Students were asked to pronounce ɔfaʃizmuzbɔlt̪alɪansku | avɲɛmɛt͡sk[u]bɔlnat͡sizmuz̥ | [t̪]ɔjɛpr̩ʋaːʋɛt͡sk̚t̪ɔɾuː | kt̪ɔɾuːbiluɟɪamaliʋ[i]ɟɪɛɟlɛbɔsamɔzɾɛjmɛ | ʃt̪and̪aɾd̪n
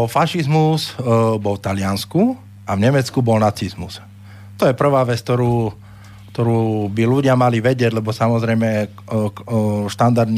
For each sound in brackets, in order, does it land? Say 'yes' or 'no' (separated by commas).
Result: yes, yes, no